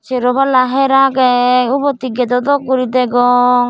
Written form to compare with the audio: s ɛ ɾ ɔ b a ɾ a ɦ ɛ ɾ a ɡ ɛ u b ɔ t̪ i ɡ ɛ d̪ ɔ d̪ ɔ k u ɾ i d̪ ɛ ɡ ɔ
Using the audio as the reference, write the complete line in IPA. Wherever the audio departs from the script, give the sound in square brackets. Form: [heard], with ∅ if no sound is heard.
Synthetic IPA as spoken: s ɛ ɾ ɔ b a [l] a ɦ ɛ ɾ a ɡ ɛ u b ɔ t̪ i ɡ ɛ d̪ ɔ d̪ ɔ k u ɾ i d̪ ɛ ɡ ɔ